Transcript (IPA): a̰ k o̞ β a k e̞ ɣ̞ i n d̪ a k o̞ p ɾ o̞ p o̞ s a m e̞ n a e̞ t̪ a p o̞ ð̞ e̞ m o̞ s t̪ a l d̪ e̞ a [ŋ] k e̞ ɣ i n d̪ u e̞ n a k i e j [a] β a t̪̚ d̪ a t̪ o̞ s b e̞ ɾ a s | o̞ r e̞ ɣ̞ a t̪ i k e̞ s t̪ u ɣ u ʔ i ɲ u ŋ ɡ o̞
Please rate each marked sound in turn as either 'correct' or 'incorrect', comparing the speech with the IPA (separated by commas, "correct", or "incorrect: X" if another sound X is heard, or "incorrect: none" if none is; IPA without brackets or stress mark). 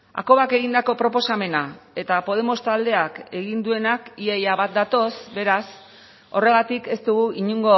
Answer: incorrect: none, correct